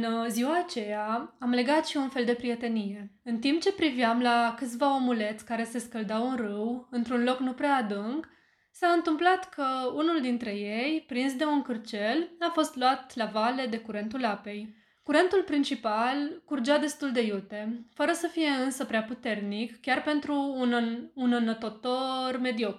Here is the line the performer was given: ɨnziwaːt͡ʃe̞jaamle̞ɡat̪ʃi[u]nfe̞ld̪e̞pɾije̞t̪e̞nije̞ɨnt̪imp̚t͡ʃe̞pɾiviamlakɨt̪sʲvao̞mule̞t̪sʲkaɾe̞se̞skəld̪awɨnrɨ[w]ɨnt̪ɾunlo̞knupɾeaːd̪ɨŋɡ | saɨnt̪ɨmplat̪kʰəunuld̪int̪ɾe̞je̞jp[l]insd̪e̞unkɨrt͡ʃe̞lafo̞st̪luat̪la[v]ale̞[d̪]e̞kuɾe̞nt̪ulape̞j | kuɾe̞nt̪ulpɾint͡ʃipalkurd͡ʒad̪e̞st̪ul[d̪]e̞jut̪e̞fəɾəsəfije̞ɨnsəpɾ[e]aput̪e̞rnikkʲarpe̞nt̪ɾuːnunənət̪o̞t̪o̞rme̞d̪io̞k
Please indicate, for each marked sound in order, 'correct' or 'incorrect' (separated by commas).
correct, correct, incorrect, correct, correct, correct, correct